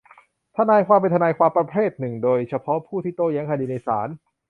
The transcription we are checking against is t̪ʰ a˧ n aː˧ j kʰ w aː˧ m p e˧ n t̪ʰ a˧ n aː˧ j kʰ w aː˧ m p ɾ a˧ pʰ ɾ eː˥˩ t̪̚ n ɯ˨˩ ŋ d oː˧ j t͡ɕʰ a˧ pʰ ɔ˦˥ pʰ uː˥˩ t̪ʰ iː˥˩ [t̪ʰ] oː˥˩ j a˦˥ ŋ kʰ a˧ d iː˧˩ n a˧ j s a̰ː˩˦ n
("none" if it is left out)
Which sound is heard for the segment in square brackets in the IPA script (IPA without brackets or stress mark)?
t̪